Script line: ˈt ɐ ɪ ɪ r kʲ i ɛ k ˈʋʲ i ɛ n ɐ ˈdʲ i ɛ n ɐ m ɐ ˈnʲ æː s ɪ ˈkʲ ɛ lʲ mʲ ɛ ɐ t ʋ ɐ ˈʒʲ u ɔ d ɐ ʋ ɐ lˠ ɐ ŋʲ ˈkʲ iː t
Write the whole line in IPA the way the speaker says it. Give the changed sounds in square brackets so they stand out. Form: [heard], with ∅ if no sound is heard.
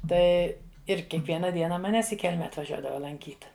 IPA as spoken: ˈt ɐ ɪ ɪ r kʲ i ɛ k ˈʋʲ i ɛ n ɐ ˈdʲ i ɛ n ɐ m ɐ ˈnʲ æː s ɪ ˈkʲ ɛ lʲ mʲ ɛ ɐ t ʋ ɐ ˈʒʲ u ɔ d ɐ ʋ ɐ lˠ ɐ ŋʲ ˈkʲ iː t